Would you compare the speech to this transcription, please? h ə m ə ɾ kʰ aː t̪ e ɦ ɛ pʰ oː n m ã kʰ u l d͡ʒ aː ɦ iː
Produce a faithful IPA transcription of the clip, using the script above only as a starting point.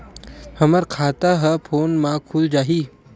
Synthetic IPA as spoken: h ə m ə ɾ kʰ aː t̪ a ɦ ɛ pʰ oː n m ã kʰ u l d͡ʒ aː ɦ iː